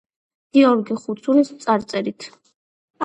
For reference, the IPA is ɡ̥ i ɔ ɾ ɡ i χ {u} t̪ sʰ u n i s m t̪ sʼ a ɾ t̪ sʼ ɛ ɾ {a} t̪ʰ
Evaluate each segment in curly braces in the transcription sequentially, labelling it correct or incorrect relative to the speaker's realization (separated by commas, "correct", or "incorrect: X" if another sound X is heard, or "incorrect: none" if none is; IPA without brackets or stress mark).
correct, incorrect: i